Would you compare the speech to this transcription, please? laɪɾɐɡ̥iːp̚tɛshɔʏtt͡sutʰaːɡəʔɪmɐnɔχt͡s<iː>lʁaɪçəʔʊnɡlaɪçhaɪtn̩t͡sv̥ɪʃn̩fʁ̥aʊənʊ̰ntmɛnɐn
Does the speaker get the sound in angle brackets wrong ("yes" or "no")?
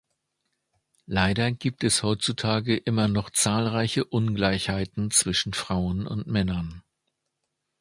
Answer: yes